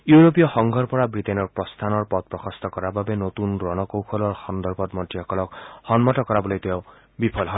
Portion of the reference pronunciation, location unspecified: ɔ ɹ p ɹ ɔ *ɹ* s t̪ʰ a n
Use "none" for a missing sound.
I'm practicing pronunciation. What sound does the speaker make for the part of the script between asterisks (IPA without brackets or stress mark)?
none